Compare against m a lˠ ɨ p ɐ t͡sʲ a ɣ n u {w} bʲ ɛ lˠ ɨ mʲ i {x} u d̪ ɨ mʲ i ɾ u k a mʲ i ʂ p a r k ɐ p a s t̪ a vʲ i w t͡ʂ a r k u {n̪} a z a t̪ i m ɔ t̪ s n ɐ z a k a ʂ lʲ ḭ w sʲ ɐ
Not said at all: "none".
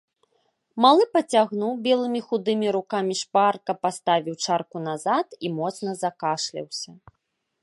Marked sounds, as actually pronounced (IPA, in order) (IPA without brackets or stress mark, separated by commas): w, x, n̪